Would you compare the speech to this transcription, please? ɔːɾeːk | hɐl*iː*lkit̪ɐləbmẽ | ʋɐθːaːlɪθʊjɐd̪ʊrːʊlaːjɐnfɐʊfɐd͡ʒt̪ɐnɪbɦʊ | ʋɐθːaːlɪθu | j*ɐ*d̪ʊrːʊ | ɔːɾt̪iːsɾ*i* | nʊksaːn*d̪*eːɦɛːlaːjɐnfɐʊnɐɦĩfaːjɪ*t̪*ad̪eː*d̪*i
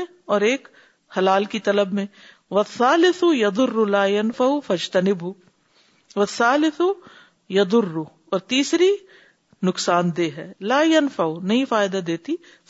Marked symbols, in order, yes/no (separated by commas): no, yes, yes, yes, no, no